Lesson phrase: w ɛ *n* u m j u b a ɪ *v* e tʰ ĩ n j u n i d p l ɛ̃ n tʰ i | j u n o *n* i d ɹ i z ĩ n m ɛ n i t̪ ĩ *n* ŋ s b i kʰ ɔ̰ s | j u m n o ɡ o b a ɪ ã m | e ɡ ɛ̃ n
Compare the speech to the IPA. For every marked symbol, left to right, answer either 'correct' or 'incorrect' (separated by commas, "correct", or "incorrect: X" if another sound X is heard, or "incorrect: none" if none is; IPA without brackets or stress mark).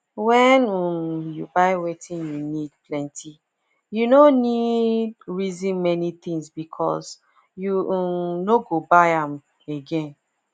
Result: correct, incorrect: w, correct, incorrect: none